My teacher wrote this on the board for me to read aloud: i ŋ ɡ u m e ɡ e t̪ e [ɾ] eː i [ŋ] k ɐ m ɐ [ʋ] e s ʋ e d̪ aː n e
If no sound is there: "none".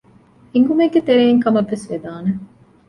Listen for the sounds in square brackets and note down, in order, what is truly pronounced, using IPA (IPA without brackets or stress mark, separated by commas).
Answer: ɾ, ŋ, ʋː